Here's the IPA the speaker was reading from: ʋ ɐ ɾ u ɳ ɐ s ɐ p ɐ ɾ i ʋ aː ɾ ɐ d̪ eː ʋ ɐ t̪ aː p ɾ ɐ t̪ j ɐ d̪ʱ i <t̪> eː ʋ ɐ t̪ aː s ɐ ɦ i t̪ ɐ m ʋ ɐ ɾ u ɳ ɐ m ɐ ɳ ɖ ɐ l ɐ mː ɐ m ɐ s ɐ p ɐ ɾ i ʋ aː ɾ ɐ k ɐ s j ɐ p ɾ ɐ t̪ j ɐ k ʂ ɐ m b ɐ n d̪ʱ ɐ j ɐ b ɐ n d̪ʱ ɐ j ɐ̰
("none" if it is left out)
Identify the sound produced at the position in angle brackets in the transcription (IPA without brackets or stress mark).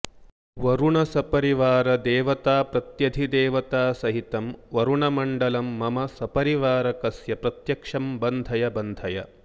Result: d̪